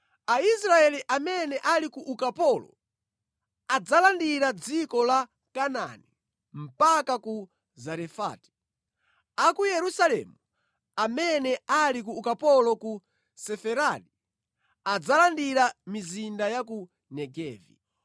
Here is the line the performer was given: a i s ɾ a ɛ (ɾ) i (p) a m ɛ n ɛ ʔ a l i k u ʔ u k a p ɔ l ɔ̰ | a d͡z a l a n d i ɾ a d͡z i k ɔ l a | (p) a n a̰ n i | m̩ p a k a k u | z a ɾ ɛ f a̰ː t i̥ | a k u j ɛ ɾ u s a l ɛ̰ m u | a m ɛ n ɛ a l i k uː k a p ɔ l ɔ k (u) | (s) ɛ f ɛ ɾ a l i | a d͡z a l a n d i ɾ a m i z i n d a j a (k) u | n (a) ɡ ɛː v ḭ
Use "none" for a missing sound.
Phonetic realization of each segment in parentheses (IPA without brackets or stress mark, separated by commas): l, ʔ, k, u, s, k, ɛ